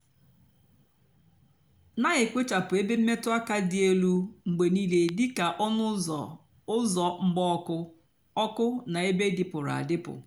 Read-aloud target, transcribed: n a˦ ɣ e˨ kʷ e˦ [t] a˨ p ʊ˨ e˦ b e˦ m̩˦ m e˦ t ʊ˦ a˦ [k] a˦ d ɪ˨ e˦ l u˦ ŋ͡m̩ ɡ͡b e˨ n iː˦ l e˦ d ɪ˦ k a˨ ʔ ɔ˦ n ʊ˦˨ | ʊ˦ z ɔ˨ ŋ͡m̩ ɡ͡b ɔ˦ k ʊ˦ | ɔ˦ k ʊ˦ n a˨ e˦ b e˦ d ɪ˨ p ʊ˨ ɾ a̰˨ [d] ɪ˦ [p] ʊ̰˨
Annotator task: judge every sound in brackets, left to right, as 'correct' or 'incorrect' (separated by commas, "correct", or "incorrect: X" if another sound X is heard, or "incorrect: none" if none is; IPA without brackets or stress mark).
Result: incorrect: t͡ʃ, correct, correct, correct